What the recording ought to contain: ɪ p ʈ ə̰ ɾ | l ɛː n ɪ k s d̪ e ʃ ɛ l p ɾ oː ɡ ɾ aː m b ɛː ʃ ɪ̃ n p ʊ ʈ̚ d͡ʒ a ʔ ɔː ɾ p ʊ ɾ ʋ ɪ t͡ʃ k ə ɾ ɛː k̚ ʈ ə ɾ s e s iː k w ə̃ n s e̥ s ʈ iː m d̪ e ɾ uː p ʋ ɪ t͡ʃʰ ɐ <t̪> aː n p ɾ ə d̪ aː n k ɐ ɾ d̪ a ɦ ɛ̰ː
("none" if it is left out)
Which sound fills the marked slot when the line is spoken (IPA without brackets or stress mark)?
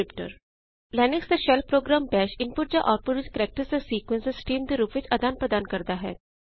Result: d̪